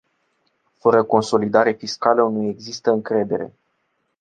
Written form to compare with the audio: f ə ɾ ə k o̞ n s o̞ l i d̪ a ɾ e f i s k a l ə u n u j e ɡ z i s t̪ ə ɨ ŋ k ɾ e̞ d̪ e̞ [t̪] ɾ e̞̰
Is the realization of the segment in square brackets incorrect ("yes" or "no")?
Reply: yes